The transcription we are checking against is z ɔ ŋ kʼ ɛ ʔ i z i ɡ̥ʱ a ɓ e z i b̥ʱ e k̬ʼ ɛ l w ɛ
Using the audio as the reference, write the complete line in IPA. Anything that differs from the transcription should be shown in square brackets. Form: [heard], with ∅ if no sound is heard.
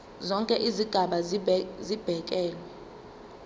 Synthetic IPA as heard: z ɔ ŋ kʼ ɛ ʔ i z i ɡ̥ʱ a ɓ [a] z i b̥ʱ [ɛ] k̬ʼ [ɛː] l w ɛ

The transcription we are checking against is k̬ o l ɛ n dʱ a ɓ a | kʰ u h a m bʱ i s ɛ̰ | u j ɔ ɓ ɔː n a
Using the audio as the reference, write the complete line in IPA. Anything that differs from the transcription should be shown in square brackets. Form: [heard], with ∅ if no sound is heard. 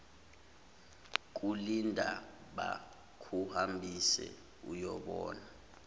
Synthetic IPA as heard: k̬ [u] l [i] n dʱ a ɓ a | kʰ u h a m bʱ i s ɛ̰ | u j ɔ ɓ ɔː n a

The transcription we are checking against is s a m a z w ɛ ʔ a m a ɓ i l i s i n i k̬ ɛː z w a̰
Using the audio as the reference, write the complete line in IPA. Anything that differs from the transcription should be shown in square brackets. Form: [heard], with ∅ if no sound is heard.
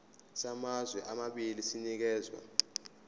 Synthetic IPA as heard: s a m a z w ɛ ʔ a m a ɓ i l i s i n i k̬ ɛː z w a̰

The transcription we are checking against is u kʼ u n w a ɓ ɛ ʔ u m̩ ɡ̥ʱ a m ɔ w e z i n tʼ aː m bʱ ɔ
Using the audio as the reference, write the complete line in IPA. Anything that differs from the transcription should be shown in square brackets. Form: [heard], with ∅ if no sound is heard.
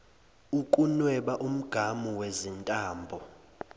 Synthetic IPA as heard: u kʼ u n w [ɛ] ɓ [a] ʔ u m̩ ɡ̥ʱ a m [u] w e z i n tʼ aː m bʱ ɔ

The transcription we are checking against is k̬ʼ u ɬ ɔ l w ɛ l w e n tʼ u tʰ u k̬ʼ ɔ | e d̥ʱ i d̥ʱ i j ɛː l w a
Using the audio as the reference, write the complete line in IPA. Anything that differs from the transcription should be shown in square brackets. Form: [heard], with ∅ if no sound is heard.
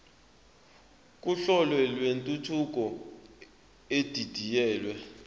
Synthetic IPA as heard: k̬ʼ u ɬ ɔ l w ɛ l w e n tʼ u tʰ u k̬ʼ ɔ | e d̥ʱ i d̥ʱ i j ɛː l w [ɛ]

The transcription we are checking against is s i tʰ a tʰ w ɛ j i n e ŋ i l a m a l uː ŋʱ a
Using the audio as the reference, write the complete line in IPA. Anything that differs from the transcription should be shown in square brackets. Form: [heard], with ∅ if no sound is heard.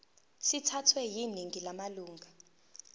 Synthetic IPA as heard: s i tʰ a tʰ w ɛ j i n [i] ŋ i l a m a l uː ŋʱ a

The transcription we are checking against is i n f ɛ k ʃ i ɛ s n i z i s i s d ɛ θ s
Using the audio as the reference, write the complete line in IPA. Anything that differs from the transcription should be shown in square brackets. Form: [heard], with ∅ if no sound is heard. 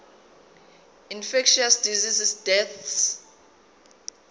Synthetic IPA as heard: i n f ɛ k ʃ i [a] s [d] i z i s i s d ɛ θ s

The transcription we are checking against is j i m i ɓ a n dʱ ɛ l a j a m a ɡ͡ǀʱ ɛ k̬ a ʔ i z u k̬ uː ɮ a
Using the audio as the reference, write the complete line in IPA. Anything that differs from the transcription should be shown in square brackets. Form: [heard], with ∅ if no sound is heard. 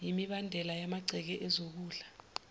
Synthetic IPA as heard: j i m i ɓ a n dʱ ɛ l a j a m a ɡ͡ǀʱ ɛ k̬ [ɛ] ʔ [ɛ] z [o] k̬ uː ɮ a

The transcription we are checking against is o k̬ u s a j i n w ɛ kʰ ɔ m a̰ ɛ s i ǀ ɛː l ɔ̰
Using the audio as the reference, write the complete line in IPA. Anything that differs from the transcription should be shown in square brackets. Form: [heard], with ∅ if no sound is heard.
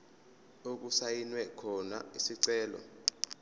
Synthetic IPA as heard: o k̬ u s a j i n w ɛ kʰ ɔ [n] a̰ [i] s i ǀ ɛː l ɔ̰

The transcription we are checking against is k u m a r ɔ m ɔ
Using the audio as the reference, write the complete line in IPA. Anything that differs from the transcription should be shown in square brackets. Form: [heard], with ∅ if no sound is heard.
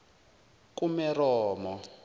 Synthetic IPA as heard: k u m [ɛ] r [ɔː] m ɔ

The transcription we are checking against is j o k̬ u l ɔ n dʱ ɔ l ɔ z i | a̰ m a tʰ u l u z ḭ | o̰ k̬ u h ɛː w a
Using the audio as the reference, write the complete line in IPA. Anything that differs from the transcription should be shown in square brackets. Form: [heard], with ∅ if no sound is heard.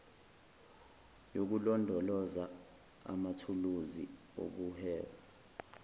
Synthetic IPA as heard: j o k̬ u l ɔ n dʱ ɔ l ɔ z [a] | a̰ m a tʰ u l u z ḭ | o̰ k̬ u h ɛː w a

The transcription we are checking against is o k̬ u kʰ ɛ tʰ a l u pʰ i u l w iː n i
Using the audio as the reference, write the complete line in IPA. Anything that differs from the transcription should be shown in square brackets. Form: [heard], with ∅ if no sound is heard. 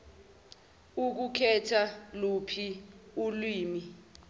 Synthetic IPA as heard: [u] k̬ u kʰ ɛ tʰ a l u pʰ i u l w iː [m] i

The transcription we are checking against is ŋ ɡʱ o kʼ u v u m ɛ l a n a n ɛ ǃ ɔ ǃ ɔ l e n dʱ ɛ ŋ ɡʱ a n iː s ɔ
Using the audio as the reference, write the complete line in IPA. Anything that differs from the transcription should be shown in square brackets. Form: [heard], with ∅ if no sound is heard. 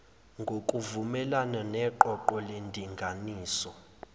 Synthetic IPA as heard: ŋ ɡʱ o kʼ u v u m ɛ l a n a n ɛ ǃ ɔ ǃ ɔ l e n dʱ [i] ŋ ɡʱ a n iː s ɔ

